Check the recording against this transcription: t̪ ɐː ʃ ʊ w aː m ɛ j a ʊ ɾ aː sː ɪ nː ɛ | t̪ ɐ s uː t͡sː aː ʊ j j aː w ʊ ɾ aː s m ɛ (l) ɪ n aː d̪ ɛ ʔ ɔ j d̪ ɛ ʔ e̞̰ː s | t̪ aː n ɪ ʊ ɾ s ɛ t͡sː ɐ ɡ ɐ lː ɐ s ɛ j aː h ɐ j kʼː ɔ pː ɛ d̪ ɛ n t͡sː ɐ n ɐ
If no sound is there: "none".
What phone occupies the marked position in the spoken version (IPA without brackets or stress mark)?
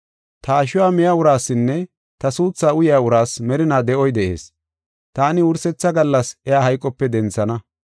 ɾ